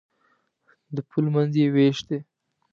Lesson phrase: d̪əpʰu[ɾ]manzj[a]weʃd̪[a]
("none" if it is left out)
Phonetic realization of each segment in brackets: l, e, e

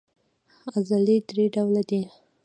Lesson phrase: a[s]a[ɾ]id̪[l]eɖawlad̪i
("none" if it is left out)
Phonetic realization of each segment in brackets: z, l, ɾ

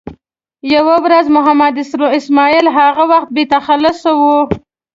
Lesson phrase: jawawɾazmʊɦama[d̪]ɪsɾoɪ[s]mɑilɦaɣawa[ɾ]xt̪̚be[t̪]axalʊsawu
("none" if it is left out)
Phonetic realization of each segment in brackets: d̪, s, none, t̪

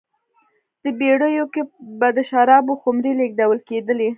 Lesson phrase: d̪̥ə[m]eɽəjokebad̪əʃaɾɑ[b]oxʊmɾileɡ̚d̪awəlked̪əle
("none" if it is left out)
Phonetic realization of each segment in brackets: b, b

